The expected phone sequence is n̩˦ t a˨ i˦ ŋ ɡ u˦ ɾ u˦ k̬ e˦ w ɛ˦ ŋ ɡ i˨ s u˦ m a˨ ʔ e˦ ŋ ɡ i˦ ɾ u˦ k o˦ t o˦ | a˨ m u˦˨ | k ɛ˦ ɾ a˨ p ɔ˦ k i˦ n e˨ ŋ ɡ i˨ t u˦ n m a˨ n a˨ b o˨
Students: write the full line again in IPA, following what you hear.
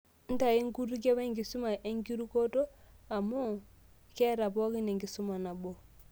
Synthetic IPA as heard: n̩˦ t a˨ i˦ ŋ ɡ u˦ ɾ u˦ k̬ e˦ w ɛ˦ ŋ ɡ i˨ s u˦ m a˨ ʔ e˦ ŋ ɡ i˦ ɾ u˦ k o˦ t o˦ | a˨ m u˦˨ | k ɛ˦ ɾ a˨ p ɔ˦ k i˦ n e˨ ŋ ɡ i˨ s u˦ m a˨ n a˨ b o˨